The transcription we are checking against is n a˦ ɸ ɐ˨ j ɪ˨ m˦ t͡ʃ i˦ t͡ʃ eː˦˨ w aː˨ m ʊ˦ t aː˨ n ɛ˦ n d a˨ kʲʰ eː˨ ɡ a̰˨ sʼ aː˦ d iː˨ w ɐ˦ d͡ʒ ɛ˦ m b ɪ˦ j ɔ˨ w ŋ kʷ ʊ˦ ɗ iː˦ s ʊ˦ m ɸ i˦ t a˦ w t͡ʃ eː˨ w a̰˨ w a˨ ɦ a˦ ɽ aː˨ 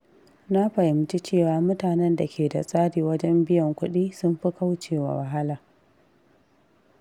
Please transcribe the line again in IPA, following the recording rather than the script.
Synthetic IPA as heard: n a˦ ɸ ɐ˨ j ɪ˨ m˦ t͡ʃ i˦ t͡ʃ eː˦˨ w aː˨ m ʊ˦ t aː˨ n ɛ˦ n d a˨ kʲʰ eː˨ d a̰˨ sʼ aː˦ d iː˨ w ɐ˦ d͡ʒ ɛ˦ m b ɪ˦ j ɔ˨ ŋ kʷ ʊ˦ ɗ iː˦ s ʊ˦ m ɸ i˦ k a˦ w t͡ʃ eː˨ w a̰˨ w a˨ ɦ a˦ l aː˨